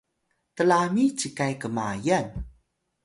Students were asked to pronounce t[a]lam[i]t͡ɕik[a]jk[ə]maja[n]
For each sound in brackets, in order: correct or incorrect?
incorrect: ə, correct, correct, correct, correct

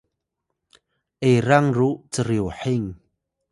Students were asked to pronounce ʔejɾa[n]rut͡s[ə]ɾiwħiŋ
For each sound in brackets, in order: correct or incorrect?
incorrect: ŋ, correct

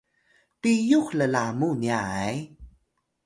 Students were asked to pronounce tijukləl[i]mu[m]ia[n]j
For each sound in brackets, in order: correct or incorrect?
incorrect: a, incorrect: n, incorrect: none

